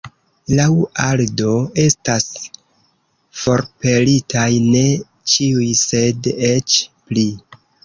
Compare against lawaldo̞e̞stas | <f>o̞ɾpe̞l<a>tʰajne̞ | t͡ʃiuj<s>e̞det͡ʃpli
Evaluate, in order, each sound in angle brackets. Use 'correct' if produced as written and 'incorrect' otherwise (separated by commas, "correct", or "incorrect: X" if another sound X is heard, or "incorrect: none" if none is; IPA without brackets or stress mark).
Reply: correct, incorrect: i, correct